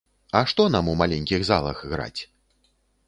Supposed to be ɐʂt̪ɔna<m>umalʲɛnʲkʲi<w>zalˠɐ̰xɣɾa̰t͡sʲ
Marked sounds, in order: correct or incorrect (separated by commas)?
correct, incorrect